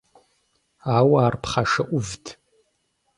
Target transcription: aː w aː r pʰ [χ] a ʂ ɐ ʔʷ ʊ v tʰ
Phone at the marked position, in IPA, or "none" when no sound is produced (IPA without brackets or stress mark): χ